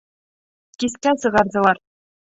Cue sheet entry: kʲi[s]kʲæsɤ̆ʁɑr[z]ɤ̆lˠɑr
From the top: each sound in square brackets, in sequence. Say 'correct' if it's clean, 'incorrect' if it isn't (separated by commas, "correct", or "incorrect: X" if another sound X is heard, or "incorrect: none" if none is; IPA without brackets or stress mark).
correct, correct